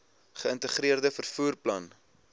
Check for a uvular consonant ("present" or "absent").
present